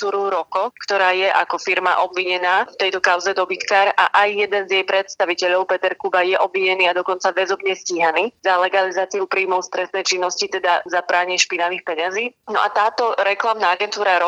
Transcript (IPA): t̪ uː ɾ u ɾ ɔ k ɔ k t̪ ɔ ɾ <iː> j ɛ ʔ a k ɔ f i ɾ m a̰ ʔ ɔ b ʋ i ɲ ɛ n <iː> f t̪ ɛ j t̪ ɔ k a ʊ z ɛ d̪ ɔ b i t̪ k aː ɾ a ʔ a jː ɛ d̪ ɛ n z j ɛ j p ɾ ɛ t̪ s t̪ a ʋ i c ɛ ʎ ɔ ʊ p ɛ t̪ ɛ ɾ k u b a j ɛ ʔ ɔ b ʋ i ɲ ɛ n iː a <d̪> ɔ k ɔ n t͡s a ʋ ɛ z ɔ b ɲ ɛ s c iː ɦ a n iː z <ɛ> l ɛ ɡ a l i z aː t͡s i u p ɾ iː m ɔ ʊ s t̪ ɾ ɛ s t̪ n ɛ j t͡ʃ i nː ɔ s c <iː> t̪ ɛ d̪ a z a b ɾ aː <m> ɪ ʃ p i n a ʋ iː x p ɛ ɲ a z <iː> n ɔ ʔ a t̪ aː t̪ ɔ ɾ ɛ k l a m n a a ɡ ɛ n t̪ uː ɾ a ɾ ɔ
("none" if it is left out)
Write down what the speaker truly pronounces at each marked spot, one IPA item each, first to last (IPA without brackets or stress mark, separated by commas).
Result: aː, aː, d̪, a, i, ɲ, iː